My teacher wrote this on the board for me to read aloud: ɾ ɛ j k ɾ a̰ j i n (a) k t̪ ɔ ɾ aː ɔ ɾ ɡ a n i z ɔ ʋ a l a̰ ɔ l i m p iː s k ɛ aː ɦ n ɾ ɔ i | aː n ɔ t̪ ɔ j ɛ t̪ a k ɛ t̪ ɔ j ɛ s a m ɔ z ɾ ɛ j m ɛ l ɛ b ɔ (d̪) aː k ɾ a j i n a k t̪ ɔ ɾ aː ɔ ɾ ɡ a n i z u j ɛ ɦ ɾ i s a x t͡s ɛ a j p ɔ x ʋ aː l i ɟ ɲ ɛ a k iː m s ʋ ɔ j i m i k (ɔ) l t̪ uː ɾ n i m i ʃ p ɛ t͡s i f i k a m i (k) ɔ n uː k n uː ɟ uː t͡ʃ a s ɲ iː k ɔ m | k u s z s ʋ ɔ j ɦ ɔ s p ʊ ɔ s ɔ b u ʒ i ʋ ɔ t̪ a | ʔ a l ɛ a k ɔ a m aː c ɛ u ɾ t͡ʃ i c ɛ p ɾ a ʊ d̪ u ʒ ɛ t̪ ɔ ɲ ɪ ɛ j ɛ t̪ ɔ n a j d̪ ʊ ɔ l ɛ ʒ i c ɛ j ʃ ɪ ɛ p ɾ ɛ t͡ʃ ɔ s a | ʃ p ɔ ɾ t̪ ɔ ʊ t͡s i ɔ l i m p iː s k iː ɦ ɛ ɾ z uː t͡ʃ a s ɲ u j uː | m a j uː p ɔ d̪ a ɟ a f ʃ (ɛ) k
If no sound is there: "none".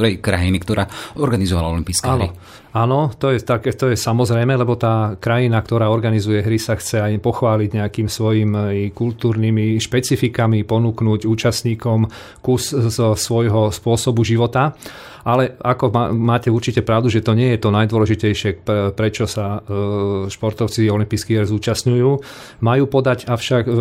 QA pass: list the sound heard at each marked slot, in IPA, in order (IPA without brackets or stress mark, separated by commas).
i, t̪, u, p, a